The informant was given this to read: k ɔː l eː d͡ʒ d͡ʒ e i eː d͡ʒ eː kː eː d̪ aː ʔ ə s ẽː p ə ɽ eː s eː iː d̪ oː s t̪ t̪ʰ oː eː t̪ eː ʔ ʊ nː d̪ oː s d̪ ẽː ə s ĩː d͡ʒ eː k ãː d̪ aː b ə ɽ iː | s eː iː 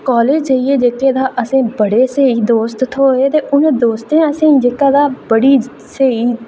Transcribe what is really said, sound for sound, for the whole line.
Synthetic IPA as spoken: k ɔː l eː d͡ʒ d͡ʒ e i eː d͡ʒ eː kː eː d̪ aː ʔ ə s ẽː b ə ɽ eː s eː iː d̪ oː s t̪ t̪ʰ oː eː t̪ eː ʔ ʊ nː d̪ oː s t̪ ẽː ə s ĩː d͡ʒ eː k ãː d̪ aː b ə ɽ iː | s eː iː